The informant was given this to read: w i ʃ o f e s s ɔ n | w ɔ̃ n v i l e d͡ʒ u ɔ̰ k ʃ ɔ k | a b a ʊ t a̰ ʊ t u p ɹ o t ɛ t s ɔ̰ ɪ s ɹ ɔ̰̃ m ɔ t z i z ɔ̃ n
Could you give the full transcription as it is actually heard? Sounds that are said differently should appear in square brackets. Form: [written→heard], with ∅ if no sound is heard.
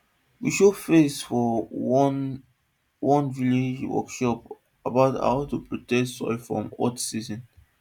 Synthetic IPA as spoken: w i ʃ o f e s [s→f] ɔ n | w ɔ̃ n v i l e d͡ʒ [u→w] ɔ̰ k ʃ ɔ [k→p] | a b a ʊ t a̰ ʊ t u p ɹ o t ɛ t s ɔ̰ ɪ [s→f] ɹ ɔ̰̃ m ɔ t [z→s] i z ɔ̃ n